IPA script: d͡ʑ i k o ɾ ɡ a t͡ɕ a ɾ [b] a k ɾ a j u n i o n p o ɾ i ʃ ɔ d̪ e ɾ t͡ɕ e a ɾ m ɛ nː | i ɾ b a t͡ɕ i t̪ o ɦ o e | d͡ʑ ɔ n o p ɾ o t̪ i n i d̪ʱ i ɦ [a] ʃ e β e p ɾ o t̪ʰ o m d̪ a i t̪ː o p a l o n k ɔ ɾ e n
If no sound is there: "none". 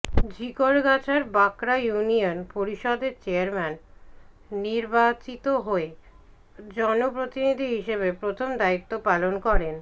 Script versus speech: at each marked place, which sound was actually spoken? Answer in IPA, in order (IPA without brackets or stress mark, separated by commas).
b, i